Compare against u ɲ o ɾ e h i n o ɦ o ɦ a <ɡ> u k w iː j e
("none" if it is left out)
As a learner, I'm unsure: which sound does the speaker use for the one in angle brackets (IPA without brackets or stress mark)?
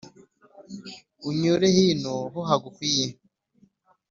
ɡ